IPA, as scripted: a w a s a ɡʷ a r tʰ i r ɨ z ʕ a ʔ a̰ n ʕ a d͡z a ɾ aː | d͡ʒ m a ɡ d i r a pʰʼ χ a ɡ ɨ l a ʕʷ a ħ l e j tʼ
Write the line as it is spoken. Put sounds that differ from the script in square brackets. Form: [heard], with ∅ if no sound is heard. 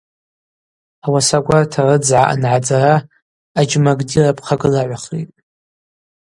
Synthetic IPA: a w a s a ɡʷ a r tʰ [a] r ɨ [d͡z] ʕ a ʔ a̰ n ʕ a d͡z a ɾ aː | d͡ʒ m a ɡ d i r a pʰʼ χ a ɡ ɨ l a ʕʷ a [χ] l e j tʼ